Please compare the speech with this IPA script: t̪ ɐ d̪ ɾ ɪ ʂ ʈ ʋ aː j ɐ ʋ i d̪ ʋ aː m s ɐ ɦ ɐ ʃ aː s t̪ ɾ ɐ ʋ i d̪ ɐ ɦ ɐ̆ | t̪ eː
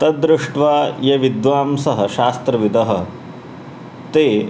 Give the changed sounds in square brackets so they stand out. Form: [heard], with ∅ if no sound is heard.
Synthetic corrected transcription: t̪ ɐ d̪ ɾ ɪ ʂ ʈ ʋ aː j ɐ ʋ i d̪ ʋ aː m s ɐ ɦ ɐ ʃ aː s t̪ ɾ ɐ ʋ i d̪ ɐ ɦ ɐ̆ | t̪ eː

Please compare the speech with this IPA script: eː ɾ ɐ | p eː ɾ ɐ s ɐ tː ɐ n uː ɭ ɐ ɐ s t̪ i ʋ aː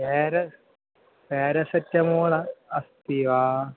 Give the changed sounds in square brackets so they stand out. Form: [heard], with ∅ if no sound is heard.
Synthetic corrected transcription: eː ɾ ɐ | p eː ɾ ɐ s ɐ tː ɐ [m] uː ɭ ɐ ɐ s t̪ i ʋ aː

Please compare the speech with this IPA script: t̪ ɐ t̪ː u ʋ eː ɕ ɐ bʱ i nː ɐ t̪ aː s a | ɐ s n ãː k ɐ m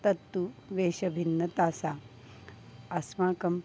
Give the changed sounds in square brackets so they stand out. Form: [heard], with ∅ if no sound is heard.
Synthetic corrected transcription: t̪ ɐ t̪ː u ʋ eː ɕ ɐ bʱ i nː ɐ t̪ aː s a | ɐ s [m] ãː k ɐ m

